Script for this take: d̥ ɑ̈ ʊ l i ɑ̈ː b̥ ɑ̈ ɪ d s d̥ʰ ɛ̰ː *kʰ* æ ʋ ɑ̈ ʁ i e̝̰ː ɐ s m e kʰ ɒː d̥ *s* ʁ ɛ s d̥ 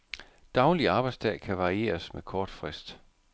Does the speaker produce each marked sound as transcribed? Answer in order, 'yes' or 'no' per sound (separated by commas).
yes, no